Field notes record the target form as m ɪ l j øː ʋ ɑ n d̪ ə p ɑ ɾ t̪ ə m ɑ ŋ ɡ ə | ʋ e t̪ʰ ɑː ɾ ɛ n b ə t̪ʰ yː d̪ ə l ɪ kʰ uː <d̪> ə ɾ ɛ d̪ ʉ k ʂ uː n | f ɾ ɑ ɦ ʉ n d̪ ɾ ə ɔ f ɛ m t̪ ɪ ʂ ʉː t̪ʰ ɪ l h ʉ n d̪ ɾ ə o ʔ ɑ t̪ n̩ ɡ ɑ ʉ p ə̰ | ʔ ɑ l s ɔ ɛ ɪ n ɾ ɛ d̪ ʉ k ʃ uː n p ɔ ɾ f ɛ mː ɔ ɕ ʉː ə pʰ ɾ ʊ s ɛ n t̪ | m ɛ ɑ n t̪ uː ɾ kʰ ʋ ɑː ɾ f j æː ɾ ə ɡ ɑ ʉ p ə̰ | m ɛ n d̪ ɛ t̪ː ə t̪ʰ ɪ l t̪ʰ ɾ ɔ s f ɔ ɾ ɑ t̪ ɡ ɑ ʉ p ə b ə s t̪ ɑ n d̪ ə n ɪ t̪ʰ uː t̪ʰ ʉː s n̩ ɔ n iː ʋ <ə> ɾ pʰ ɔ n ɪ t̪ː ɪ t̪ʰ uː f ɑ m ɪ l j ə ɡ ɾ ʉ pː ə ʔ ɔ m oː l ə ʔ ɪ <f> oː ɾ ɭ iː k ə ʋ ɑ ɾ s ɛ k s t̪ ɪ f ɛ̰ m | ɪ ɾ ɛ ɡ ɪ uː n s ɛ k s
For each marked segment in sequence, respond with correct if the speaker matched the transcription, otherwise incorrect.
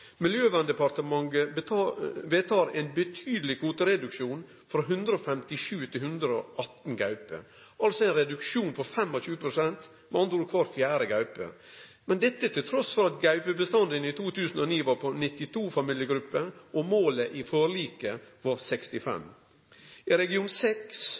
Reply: incorrect, incorrect, correct

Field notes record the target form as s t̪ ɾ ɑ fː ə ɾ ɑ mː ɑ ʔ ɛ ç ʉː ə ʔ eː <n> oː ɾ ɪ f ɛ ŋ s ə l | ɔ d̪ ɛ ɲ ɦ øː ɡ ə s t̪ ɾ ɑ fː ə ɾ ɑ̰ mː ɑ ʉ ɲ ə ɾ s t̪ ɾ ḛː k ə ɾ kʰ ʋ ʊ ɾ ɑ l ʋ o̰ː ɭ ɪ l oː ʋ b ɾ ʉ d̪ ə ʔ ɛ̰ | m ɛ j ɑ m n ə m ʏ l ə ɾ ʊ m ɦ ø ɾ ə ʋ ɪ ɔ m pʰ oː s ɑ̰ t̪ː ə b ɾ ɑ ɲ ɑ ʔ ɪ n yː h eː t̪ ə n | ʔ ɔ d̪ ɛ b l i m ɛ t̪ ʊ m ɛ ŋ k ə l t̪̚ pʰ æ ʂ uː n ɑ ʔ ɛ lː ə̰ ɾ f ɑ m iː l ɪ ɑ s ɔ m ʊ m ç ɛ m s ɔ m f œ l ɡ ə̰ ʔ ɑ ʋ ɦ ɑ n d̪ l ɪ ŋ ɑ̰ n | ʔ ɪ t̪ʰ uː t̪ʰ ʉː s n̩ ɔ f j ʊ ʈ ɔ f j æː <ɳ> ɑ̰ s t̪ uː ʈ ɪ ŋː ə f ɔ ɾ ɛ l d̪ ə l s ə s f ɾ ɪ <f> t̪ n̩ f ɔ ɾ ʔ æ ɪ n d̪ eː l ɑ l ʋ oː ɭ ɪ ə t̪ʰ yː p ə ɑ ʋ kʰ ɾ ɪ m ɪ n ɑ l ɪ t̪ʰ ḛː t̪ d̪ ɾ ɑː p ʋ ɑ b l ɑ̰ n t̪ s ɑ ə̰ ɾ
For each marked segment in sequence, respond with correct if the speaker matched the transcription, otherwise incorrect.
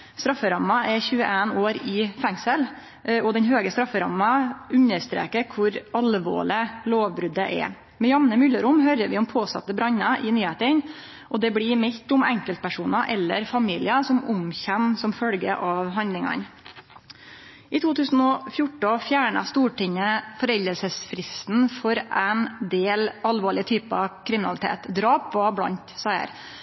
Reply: correct, correct, incorrect

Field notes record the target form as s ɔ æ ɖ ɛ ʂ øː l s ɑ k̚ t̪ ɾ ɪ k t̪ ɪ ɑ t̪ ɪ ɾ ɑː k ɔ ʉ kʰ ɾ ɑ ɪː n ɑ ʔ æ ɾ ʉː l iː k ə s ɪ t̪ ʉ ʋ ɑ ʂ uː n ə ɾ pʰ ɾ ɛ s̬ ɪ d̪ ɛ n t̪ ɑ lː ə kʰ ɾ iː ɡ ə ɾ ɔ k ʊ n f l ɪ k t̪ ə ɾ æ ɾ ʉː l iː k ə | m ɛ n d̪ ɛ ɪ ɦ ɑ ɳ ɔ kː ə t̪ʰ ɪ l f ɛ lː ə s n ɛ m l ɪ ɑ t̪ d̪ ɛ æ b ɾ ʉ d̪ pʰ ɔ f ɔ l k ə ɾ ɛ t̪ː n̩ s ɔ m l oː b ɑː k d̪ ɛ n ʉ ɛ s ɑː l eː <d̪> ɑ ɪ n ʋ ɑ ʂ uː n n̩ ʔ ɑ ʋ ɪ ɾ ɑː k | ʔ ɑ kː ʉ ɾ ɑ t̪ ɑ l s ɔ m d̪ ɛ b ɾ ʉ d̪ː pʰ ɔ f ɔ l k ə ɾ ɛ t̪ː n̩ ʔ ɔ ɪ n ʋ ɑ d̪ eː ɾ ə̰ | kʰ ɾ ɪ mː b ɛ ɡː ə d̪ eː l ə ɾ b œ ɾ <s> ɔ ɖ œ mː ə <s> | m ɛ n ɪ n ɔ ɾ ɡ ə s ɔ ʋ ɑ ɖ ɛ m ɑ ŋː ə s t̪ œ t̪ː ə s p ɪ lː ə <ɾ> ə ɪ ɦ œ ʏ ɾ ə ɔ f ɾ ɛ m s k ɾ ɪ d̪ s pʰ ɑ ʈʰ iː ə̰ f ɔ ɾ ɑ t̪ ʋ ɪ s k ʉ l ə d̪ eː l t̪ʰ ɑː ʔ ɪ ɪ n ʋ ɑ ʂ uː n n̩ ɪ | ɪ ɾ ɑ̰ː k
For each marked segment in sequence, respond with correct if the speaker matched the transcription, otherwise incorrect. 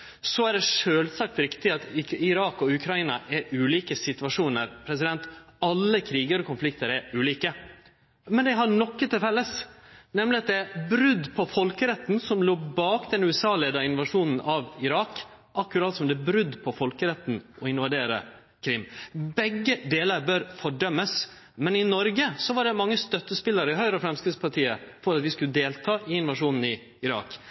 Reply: correct, incorrect, correct, correct

